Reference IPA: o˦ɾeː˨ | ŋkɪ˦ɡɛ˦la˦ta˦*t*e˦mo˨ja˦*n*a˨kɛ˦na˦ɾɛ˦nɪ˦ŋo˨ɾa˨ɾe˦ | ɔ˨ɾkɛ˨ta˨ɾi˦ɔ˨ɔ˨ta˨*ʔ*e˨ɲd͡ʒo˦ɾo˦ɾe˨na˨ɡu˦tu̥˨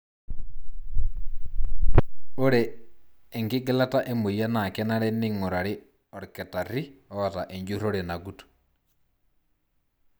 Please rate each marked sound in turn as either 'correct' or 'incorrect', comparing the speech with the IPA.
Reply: incorrect, correct, correct

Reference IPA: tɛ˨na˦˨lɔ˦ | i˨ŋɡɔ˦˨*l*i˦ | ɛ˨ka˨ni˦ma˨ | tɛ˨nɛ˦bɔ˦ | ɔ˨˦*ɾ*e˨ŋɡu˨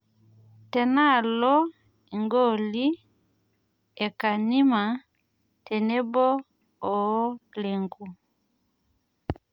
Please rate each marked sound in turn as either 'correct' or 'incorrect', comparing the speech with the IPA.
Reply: correct, incorrect

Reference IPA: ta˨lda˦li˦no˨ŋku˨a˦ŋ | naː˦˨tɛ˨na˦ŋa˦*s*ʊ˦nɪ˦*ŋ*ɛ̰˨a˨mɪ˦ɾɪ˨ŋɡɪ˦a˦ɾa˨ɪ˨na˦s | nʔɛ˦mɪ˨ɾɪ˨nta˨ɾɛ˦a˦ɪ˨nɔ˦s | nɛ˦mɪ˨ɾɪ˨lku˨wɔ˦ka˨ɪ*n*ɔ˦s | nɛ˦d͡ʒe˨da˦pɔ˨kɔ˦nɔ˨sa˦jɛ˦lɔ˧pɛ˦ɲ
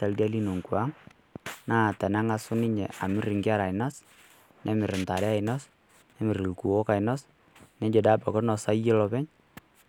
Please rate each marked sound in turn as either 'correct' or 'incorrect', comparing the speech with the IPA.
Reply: correct, incorrect, correct

